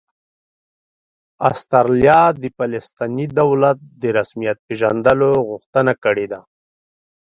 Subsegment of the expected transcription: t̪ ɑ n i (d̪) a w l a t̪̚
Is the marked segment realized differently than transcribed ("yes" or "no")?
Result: no